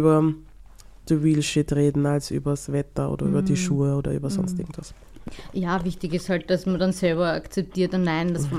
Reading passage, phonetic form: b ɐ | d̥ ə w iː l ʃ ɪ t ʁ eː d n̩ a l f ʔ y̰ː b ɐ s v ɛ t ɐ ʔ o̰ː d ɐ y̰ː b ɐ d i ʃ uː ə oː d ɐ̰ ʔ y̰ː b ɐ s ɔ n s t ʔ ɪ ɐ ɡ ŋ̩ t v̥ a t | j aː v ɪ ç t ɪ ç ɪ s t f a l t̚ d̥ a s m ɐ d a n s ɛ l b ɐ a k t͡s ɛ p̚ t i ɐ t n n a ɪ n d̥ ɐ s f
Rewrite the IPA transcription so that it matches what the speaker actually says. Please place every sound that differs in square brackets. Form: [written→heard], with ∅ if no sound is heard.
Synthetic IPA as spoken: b ɐ | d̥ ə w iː l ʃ ɪ t ʁ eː d n̩ a l [f→s] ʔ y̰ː b ɐ s v ɛ t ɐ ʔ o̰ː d ɐ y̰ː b ɐ d i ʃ uː ə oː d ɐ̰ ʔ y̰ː b ɐ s ɔ n s t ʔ ɪ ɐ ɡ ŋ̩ t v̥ a [t→s] | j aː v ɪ ç t ɪ ç ɪ s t [f→h] a l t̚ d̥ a s m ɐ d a n s ɛ l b ɐ a k t͡s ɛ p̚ t [i→iː] ɐ t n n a ɪ n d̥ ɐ s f